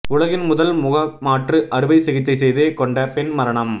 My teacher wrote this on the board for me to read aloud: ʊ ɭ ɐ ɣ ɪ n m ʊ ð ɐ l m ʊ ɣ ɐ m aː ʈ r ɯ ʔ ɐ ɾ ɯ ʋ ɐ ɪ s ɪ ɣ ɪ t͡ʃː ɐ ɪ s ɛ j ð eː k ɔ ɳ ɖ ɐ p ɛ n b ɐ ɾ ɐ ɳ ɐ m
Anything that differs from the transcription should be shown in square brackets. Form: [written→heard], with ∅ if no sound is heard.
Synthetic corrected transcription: ʊ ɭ ɐ ɣ ɪ n m ʊ ð ɐ l m ʊ ɣ ɐ m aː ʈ r ɯ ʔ ɐ ɾ ɯ ʋ ɐ ɪ s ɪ ɣ ɪ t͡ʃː ɐ ɪ s ɛ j ð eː k ɔ ɳ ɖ ɐ p ɛ n [b→m] ɐ ɾ ɐ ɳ ɐ m